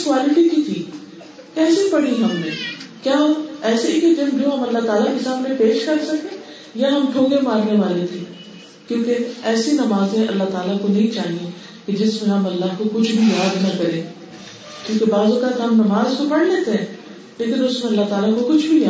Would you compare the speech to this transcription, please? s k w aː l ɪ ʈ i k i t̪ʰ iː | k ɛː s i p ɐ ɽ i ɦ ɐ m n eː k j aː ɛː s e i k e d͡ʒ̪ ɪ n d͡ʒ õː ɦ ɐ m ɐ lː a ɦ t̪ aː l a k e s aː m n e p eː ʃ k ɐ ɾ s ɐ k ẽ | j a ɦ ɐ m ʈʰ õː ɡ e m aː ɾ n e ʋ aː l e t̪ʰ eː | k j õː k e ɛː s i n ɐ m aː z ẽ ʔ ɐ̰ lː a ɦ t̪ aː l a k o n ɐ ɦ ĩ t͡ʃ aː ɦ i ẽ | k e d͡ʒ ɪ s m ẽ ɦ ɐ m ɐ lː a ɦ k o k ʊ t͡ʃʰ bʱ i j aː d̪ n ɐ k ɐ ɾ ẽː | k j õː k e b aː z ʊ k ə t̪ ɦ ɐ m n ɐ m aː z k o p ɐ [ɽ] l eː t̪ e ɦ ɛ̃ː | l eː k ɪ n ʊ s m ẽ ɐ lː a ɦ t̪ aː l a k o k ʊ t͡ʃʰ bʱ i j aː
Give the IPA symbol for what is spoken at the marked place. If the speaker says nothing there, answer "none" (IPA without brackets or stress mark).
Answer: ɽ